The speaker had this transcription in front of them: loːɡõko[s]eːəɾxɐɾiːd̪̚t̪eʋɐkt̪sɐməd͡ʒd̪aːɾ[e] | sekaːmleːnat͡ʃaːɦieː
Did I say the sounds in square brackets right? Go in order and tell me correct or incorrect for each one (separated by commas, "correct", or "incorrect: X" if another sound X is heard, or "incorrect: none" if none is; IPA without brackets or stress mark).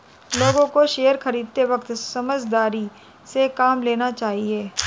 incorrect: ʃ, incorrect: i